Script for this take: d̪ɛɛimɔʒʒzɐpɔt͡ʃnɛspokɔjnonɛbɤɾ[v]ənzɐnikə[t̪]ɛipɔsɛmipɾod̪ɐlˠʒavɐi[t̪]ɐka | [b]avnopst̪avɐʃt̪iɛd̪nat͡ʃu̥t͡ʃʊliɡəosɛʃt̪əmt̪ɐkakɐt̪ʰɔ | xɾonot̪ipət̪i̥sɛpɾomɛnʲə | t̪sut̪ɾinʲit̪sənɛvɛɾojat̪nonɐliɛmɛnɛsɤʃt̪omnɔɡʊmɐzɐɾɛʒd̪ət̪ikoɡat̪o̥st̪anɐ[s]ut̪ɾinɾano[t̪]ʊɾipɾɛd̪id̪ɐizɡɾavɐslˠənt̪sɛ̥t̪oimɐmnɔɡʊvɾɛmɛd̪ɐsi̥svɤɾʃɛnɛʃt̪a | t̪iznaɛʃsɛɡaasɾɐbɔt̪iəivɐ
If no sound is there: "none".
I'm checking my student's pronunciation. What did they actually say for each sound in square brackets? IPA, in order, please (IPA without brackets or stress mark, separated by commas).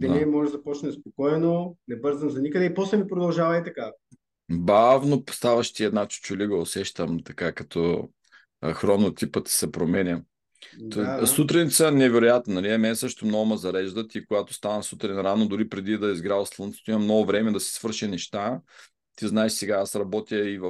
z, d̪, t̪, b, s, d̪